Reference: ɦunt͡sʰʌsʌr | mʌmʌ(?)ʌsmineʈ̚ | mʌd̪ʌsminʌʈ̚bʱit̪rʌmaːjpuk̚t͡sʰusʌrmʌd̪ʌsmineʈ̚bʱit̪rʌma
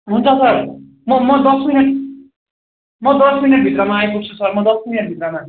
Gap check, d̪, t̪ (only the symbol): d̪